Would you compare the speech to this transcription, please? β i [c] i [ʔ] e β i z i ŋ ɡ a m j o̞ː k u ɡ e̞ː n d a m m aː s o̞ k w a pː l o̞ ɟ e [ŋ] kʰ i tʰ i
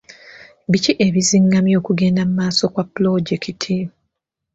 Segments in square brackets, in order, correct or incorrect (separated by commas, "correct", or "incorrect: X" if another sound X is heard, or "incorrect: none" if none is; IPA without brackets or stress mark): correct, correct, incorrect: none